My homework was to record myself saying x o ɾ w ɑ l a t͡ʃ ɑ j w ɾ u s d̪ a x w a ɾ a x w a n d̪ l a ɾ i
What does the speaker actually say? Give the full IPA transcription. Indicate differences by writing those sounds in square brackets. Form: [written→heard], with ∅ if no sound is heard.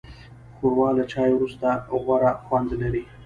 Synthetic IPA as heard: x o ɾ w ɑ l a t͡ʃ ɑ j w ɾ u s [d̪→t̪] a [x→ɣ] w a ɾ a x w a n d̪ l a ɾ i